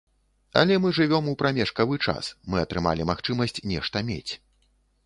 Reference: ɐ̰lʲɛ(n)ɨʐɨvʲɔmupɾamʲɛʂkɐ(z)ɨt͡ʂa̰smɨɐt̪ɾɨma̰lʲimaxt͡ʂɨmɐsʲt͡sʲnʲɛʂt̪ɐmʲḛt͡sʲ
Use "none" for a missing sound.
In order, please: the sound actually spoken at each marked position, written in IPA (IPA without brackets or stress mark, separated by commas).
m, v